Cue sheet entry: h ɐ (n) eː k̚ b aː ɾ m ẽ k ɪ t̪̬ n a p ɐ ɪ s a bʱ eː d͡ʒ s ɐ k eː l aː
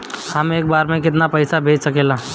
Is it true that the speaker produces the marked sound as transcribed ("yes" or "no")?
no